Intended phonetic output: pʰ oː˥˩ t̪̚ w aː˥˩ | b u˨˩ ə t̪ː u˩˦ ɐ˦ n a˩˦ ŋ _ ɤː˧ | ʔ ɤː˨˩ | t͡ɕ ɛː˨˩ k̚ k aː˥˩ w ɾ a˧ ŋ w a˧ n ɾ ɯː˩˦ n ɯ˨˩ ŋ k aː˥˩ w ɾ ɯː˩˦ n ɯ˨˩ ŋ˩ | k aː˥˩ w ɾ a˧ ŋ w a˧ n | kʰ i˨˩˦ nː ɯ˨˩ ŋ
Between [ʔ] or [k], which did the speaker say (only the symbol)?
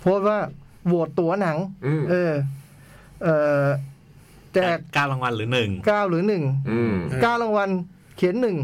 ʔ